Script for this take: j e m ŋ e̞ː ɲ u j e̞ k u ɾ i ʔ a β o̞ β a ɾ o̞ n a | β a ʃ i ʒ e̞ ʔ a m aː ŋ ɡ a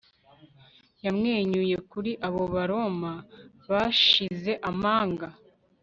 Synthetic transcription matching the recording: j a m ŋ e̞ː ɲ u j e̞ k u ɾ i ʔ a β o̞ β a ɾ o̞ m a | β a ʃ i z e̞ ʔ a m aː ŋ ɡ a